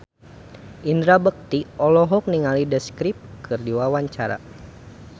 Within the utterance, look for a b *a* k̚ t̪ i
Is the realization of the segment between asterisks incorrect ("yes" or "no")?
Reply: yes